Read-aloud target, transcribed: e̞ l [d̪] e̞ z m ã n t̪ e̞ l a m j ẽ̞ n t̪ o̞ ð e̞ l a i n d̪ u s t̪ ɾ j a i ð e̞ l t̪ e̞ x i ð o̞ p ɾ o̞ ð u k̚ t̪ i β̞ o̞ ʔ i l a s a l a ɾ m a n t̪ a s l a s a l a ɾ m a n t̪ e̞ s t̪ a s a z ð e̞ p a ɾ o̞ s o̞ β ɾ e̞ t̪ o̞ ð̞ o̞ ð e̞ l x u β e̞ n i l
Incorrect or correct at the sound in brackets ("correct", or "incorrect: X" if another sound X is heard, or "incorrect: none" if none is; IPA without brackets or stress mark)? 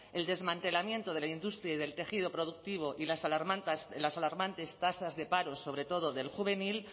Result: correct